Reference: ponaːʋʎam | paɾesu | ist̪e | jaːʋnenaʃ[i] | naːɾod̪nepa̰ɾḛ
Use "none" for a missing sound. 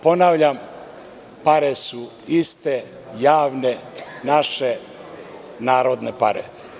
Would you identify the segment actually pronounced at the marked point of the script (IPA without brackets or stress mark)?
e